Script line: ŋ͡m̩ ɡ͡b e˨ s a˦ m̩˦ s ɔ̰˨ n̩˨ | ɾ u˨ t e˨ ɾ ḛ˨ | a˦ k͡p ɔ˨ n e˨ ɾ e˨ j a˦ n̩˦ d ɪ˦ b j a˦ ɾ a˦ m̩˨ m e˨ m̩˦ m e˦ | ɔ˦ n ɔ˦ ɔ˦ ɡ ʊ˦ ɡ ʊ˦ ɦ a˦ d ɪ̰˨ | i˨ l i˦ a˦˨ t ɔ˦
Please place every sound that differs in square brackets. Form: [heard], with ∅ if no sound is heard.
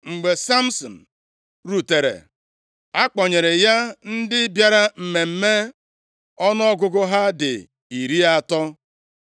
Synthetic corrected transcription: ŋ͡m̩ ɡ͡b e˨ s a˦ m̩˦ s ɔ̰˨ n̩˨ | ɾ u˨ t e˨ ɾ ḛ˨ | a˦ k͡p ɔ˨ [ɲ] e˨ ɾ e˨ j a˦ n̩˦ d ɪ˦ b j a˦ ɾ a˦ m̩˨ m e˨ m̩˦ m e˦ | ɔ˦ n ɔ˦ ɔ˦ ɡ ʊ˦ ɡ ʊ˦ ɦ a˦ d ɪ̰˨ | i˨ [ɾ] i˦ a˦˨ t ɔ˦